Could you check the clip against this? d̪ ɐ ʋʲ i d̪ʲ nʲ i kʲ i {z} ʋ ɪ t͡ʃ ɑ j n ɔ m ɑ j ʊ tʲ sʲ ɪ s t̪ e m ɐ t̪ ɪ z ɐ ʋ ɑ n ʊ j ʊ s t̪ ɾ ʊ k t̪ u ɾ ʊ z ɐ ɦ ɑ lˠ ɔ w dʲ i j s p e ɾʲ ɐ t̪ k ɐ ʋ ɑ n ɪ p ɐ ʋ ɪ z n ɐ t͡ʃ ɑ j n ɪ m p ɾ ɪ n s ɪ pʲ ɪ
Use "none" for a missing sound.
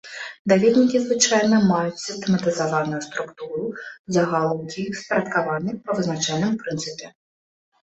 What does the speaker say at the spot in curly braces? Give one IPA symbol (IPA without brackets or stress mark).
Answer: z